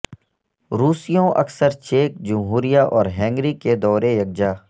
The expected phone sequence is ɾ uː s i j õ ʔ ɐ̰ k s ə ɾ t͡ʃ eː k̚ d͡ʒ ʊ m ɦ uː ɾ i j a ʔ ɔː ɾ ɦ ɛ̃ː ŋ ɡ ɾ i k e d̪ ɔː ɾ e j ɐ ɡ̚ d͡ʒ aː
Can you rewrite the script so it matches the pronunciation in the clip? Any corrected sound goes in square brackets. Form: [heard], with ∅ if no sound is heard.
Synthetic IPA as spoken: ɾ uː s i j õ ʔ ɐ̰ k s ə ɾ t͡ʃ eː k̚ d͡ʒ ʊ m ɦ uː ɾ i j a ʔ ɔː ɾ ɦ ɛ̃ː ŋ ɡ ɾ i k e d̪ ɔː ɾ e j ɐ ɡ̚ d͡ʒ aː